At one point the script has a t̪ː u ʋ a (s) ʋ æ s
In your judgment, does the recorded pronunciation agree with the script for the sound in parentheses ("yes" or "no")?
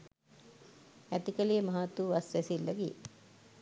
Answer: yes